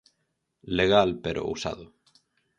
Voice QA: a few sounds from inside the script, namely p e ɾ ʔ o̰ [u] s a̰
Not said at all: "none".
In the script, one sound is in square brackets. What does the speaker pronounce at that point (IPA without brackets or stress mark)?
u